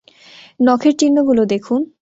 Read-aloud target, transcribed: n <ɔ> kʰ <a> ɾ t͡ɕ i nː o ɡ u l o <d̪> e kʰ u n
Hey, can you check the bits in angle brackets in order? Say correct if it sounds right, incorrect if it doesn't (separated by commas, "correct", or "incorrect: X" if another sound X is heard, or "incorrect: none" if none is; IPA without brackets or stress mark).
correct, incorrect: e, correct